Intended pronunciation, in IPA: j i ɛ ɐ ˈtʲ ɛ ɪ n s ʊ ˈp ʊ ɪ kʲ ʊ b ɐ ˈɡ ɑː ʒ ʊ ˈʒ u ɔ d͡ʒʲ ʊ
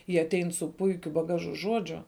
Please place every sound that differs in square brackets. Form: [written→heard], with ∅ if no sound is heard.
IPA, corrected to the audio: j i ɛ ɐ ˈtʲ ɛ ɪ n s ʊ ˈp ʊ ɪ kʲ ʊ b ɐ ˈɡ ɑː ʒ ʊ ˈʒ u ɔ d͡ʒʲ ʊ